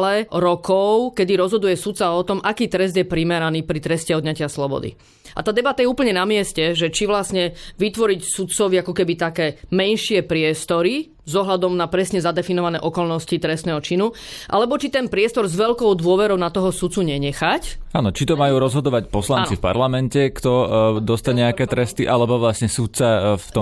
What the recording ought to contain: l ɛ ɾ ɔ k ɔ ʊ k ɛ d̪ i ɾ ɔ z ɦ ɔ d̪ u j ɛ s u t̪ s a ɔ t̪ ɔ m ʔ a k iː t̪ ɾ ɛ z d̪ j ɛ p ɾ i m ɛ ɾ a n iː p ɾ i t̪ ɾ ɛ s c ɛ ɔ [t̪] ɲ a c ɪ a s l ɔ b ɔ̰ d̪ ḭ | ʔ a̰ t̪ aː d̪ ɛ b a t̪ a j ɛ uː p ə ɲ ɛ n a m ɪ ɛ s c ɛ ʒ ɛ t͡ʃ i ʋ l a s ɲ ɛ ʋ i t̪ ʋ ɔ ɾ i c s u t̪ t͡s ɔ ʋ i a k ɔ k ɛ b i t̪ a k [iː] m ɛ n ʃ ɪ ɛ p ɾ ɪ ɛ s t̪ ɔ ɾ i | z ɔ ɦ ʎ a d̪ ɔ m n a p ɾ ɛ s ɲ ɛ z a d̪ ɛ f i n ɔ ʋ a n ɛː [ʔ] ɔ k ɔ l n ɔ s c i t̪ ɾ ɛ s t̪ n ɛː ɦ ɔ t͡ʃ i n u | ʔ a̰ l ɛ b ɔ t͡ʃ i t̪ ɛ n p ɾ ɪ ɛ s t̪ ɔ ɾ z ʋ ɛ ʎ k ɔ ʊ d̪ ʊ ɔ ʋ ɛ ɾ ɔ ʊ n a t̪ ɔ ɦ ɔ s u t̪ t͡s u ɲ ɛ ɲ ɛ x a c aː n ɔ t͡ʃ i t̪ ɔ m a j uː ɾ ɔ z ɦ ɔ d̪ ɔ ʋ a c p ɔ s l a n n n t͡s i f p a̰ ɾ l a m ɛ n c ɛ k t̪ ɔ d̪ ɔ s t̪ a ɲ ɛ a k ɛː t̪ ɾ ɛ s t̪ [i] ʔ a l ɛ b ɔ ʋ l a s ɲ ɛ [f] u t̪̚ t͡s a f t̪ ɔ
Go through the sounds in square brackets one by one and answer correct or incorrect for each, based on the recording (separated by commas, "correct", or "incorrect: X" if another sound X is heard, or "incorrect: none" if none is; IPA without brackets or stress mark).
incorrect: d̪, incorrect: ɛː, correct, correct, incorrect: s